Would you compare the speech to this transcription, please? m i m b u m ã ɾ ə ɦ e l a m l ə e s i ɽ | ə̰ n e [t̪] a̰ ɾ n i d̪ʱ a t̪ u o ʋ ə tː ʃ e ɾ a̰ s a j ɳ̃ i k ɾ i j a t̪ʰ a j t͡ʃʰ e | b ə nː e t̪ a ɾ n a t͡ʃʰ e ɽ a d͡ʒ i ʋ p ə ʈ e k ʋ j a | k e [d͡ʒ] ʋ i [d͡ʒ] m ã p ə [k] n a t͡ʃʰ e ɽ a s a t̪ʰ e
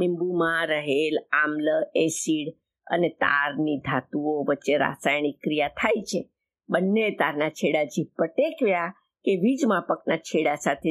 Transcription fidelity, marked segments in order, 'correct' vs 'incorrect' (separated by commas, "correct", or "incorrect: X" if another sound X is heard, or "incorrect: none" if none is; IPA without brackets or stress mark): correct, incorrect: none, correct, correct